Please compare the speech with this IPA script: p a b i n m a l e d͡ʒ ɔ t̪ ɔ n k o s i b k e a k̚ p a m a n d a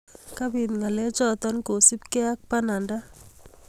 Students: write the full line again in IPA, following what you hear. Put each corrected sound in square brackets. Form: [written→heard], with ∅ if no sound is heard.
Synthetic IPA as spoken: [p→k] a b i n [m→ŋ] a l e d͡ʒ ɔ t̪ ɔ n k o s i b k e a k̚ p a [m→n] a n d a